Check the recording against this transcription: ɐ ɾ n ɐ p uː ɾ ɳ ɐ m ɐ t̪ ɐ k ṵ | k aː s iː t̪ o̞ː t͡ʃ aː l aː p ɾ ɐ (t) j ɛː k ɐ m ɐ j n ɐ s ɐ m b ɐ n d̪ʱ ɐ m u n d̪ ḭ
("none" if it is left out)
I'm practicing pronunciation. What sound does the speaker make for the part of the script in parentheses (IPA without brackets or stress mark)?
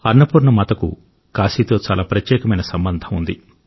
t